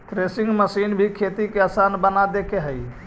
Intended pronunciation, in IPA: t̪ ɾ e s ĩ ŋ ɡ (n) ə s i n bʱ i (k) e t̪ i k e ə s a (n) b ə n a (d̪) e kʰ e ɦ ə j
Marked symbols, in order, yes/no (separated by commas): no, no, yes, yes